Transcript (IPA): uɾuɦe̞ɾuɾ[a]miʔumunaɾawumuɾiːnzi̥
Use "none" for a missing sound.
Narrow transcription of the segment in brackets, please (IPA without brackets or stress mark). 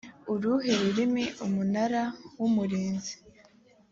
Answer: i